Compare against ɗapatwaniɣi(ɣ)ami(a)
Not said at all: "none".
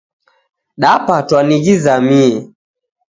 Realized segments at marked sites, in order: z, ɛ

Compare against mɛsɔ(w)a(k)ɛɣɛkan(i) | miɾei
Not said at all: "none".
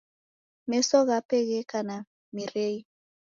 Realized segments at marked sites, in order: ɣ, p, a

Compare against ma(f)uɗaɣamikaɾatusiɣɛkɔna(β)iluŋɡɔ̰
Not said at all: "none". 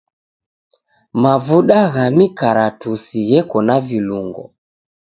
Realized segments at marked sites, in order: v, v

